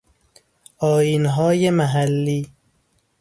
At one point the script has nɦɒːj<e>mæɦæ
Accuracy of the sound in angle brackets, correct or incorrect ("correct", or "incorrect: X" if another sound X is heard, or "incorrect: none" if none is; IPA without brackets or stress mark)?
correct